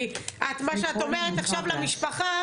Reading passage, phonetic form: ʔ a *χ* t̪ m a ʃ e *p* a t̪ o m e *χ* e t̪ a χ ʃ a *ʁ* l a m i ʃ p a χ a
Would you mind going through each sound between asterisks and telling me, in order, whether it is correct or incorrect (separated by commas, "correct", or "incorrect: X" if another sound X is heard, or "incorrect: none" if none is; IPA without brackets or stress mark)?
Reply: incorrect: none, incorrect: none, incorrect: ʁ, incorrect: v